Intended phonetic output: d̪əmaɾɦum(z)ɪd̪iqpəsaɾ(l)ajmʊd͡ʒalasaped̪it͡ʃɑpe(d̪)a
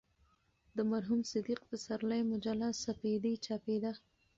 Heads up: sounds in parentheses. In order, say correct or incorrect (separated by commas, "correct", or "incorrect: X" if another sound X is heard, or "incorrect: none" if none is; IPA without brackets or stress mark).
incorrect: s, correct, correct